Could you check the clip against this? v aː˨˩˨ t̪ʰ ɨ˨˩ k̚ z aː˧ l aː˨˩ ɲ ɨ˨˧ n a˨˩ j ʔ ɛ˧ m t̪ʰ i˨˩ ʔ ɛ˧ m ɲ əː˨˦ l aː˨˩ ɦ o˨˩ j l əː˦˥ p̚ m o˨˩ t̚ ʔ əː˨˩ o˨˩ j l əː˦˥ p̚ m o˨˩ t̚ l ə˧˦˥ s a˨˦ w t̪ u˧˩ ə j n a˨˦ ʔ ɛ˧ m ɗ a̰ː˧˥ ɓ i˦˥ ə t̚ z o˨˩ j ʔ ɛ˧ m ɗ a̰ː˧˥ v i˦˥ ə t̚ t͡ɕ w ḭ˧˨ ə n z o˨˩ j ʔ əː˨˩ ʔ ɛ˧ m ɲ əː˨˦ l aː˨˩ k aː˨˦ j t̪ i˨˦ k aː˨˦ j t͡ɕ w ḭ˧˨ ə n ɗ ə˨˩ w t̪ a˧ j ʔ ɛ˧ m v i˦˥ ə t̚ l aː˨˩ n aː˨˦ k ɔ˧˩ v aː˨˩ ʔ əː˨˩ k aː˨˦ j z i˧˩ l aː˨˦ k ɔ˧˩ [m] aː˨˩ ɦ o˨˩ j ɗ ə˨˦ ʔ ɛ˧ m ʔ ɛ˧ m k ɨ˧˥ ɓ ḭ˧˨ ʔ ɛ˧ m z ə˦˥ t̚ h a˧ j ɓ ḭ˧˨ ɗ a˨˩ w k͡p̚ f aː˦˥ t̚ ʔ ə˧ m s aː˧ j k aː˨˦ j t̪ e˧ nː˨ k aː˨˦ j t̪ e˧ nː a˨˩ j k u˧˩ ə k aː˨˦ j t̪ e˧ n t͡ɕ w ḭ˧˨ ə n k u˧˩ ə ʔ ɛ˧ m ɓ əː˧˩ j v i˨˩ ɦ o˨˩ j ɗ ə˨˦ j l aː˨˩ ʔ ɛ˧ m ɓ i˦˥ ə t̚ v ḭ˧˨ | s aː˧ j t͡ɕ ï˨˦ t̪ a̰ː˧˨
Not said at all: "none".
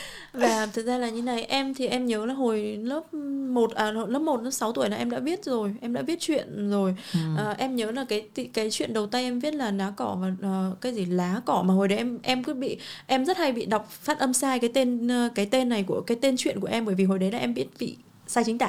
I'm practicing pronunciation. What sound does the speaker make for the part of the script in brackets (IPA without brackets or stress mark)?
m